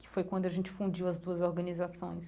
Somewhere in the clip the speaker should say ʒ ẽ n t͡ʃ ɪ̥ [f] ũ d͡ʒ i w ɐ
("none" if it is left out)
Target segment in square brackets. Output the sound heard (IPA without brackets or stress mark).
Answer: f